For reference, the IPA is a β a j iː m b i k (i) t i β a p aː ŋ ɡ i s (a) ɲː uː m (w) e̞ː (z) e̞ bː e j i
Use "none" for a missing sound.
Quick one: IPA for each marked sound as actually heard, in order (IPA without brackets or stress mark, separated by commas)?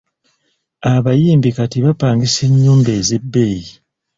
a, e, b, z